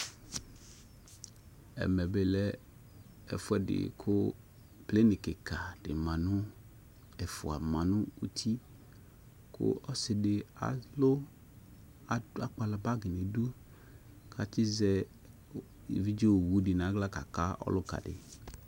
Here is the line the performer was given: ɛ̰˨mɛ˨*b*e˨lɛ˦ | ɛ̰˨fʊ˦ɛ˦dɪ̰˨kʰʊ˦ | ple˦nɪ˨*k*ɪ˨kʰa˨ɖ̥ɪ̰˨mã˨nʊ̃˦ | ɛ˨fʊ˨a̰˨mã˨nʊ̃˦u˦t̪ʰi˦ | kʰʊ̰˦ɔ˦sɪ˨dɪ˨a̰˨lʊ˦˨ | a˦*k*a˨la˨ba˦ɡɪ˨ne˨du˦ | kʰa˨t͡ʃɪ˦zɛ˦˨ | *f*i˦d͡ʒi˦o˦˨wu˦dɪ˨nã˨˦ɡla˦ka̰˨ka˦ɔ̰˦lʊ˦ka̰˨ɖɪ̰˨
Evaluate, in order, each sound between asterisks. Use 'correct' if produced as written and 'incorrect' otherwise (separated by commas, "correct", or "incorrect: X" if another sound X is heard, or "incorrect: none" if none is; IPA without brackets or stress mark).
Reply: correct, correct, incorrect: k͡p, incorrect: v